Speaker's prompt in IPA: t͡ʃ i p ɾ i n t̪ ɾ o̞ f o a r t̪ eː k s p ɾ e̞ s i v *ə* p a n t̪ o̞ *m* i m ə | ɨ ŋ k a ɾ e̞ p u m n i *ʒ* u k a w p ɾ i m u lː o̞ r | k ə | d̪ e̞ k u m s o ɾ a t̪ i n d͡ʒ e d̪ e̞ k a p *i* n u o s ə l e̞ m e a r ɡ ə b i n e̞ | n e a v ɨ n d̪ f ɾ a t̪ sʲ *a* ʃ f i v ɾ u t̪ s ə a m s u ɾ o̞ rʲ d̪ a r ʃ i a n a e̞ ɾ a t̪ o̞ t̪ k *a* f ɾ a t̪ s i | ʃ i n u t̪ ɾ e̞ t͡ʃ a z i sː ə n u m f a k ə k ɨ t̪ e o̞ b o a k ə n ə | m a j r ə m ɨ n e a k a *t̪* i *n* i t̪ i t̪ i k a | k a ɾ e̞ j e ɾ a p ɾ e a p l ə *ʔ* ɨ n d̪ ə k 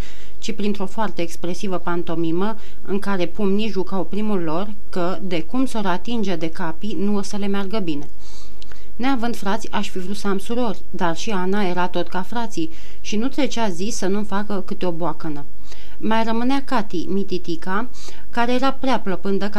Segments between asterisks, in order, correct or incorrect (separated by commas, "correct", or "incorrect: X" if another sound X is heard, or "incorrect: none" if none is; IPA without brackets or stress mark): correct, correct, correct, correct, correct, correct, correct, incorrect: m, incorrect: p